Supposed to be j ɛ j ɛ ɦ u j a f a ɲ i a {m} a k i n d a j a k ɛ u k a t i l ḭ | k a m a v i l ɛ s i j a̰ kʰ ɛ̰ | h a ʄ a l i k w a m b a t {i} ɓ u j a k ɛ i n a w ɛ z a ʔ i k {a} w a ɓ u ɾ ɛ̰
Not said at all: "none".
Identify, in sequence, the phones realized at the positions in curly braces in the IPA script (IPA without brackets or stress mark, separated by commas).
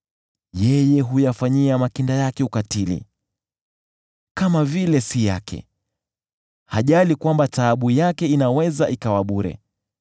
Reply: m, a, a